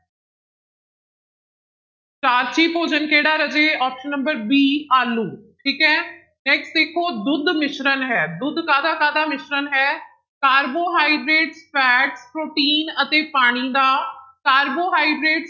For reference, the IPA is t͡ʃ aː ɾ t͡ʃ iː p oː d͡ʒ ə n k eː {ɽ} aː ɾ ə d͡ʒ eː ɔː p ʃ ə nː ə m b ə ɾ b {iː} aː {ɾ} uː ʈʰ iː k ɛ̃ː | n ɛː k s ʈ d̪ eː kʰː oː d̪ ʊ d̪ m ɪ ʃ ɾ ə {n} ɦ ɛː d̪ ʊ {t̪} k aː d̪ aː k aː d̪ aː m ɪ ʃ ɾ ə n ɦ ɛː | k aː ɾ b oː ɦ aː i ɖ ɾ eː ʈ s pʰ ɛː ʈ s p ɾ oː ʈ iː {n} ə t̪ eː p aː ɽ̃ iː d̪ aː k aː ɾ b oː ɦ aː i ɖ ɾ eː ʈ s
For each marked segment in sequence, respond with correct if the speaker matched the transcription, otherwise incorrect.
correct, correct, incorrect: l, correct, incorrect: d̪, correct

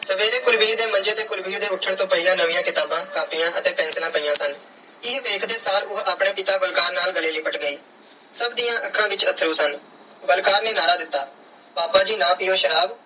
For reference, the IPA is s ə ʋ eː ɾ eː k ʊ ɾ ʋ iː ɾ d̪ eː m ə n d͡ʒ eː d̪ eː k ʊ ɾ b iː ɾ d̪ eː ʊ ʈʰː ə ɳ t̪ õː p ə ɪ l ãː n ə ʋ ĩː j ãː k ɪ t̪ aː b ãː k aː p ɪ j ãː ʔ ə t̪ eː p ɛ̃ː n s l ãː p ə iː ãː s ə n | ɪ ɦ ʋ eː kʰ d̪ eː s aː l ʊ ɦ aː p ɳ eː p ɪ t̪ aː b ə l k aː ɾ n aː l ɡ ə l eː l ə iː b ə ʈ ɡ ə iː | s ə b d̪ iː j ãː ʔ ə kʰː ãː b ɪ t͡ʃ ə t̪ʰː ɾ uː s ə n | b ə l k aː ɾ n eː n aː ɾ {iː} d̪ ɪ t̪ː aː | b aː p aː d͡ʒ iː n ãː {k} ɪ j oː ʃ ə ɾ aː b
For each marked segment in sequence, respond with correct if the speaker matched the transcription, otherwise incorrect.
incorrect: aː, incorrect: p

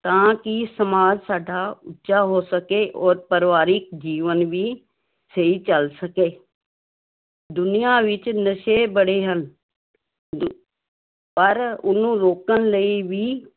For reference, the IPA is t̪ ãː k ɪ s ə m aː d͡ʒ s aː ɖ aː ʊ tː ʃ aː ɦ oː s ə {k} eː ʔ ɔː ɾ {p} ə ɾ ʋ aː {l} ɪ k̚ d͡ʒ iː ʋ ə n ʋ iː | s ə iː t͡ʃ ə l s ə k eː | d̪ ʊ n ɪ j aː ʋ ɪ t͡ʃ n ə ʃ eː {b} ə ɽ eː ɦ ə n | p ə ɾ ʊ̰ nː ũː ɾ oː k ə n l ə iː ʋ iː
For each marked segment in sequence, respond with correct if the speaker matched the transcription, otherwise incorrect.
correct, correct, incorrect: ɾ, correct

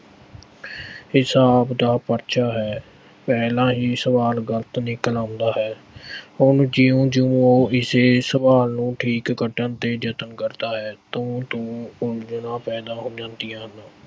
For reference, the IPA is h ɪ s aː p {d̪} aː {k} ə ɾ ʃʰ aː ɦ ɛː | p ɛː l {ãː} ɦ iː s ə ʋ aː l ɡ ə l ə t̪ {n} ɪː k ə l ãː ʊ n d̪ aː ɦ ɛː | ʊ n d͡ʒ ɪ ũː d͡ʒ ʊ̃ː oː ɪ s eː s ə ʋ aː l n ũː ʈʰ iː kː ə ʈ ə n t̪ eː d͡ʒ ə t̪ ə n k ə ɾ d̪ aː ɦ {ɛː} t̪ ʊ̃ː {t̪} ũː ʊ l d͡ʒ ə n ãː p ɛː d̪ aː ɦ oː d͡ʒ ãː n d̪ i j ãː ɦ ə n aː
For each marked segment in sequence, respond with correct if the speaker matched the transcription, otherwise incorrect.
correct, incorrect: p, correct, correct, correct, correct

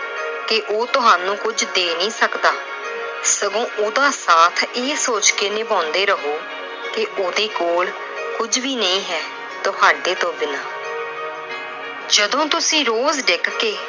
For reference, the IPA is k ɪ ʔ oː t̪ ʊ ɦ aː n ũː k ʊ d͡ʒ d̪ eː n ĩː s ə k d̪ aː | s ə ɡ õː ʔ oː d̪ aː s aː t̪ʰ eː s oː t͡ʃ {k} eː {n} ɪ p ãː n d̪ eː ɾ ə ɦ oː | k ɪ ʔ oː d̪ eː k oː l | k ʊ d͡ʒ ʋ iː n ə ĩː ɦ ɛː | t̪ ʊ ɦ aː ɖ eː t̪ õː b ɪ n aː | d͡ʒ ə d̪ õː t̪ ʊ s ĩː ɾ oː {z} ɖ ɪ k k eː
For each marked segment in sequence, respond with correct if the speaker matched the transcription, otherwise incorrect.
correct, correct, correct

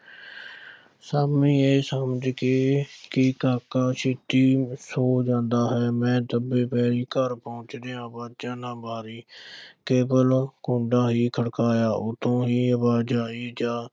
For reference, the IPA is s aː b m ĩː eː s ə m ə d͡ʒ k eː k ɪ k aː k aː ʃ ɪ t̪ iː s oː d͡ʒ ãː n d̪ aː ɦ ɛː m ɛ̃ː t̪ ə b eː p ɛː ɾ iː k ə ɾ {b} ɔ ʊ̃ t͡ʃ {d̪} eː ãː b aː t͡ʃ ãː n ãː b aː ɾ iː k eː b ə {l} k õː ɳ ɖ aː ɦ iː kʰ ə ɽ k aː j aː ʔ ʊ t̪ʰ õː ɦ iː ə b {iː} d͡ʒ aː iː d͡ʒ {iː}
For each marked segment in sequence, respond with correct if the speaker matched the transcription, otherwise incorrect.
incorrect: p, correct, correct, incorrect: aː, incorrect: aː

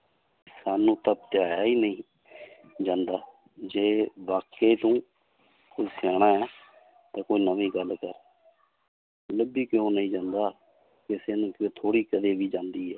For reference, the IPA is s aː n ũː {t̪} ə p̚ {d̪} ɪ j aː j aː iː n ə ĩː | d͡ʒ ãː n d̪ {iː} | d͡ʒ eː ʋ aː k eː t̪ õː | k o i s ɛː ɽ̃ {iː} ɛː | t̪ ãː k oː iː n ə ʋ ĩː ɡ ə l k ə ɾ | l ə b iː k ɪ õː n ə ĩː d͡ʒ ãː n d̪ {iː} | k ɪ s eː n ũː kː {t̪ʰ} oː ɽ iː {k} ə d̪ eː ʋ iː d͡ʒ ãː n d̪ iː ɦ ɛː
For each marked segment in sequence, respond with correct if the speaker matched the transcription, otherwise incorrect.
correct, incorrect: t̪, incorrect: aː, incorrect: aː, incorrect: aː, correct, correct

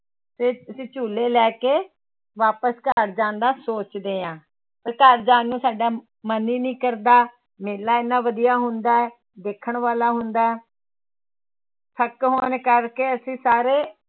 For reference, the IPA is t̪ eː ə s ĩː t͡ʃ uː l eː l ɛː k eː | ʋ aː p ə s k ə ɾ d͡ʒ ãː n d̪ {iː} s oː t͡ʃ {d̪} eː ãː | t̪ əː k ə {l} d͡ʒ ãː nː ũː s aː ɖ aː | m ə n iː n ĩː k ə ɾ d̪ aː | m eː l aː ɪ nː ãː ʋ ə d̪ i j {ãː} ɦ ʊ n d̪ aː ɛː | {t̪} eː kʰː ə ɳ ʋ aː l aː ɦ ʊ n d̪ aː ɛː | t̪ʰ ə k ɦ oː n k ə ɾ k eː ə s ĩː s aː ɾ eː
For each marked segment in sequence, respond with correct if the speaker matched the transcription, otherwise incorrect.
incorrect: aː, correct, incorrect: ɾ, incorrect: aː, incorrect: d̪

